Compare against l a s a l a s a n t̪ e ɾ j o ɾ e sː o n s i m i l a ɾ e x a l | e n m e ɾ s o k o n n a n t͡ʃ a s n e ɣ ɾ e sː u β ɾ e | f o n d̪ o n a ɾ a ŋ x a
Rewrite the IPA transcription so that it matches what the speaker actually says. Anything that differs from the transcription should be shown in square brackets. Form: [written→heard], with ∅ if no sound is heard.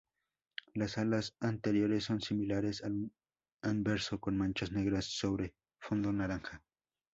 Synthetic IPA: l a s a l a s a n t̪ e ɾ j o ɾ e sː o n s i m i l a ɾ e [x→s] a l | [e→a] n [m→b] e ɾ s o k o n [n→m] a n t͡ʃ a s n e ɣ ɾ [e→a] sː [u→o] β ɾ e | f o n d̪ o n a ɾ a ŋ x a

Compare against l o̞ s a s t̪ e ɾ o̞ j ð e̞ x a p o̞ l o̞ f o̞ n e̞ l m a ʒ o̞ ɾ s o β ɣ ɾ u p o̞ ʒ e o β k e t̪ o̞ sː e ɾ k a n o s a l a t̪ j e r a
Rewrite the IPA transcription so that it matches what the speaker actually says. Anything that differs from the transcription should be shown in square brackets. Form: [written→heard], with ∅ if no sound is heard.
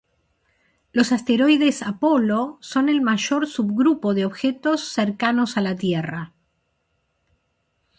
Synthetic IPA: l o̞ s a s t̪ e ɾ o̞ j ð e̞ [x→s] a p o̞ l o̞ [f→s] o̞ n e̞ l m a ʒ o̞ ɾ s [o→u] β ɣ ɾ u p o̞ [ʒ→ð] e o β [k→x] e t̪ o̞ sː e ɾ k a n o s a l a t̪ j e r a

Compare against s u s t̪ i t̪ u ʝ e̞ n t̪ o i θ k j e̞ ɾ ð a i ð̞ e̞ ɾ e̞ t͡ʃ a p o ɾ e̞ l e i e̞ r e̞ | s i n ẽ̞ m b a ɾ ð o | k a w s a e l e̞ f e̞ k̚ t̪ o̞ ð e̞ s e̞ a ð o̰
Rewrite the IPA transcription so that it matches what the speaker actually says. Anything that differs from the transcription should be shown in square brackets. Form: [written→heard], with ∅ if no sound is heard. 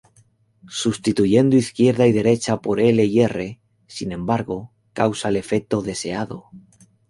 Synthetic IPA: s u s t̪ i t̪ u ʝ e̞ n [t̪→d̪] o i θ k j e̞ ɾ ð a i ð̞ e̞ ɾ e̞ t͡ʃ a p o ɾ e̞ l e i e̞ r e̞ | s i n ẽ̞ m b a ɾ [ð→ɣ] o | k a w s a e l e̞ f e̞ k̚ t̪ o̞ ð e̞ s e̞ a ð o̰

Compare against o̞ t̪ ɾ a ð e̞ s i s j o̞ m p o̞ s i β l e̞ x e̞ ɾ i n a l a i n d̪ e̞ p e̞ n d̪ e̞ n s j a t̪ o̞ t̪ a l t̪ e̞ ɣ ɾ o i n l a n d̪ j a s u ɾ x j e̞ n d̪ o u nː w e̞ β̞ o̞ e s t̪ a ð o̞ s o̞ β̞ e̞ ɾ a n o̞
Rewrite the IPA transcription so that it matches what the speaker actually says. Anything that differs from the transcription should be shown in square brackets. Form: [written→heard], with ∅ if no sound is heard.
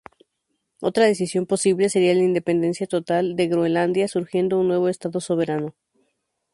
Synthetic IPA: o̞ t̪ ɾ a ð e̞ s i s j o̞ m p o̞ s i β l e̞ [x→s] e̞ ɾ i [n→∅] a l a i n d̪ e̞ p e̞ n d̪ e̞ n s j a t̪ o̞ t̪ a l [t̪→d̪] e̞ ɣ ɾ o [i→e] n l a n d̪ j a s u ɾ x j e̞ n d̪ o u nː w e̞ β̞ o̞ e s t̪ a ð o̞ s o̞ β̞ e̞ ɾ a n o̞

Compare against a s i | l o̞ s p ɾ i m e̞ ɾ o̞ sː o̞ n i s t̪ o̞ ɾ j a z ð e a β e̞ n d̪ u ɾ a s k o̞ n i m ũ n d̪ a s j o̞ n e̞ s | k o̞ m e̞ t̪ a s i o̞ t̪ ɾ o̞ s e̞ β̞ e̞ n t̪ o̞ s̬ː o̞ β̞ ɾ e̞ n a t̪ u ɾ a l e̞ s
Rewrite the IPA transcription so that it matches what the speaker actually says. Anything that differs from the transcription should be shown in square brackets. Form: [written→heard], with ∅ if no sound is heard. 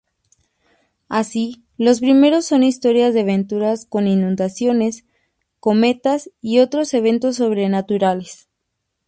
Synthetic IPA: a s i | l o̞ s p ɾ i m e̞ ɾ o̞ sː o̞ n i s t̪ o̞ ɾ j a z ð e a β e̞ n [d̪→t̪] u ɾ a s k o̞ n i [m→n] ũ n d̪ a s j o̞ n e̞ s | k o̞ m e̞ t̪ a s i o̞ t̪ ɾ o̞ s e̞ β̞ e̞ n t̪ o̞ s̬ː o̞ β̞ ɾ e̞ n a t̪ u ɾ a l e̞ s

